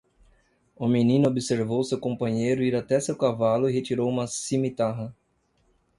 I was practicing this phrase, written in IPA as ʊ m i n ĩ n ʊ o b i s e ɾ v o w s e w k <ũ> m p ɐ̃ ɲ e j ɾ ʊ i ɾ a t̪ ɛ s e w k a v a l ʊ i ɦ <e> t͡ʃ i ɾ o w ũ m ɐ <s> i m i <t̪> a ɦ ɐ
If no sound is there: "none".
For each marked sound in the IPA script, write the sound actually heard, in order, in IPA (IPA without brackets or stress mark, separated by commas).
õ, e, s, t̪